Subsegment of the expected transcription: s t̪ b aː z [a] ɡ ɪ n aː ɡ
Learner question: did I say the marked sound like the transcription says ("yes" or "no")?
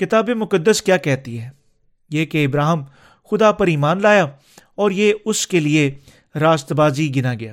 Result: no